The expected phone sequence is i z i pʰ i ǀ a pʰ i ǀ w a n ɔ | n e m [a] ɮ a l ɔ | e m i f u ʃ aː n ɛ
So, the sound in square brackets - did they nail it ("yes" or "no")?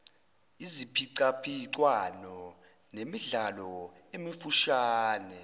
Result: no